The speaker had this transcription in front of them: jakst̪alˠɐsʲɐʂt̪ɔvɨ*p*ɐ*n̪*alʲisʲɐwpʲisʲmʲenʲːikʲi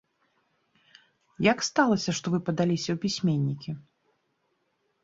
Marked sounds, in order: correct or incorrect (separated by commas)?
correct, incorrect